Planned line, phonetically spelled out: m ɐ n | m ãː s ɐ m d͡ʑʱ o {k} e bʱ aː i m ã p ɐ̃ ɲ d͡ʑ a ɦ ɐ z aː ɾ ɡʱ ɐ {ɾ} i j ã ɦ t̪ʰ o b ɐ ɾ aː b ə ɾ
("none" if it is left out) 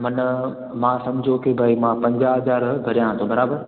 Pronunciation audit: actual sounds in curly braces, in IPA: k, ɾ

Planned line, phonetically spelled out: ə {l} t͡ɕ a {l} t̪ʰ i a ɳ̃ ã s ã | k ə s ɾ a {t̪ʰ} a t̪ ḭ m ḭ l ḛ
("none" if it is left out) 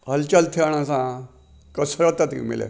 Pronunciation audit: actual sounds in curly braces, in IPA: l, l, t̪

